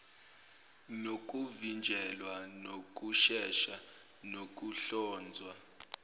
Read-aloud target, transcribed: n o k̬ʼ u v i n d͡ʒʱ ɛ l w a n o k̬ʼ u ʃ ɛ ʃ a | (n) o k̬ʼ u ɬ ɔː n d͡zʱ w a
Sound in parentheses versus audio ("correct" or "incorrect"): correct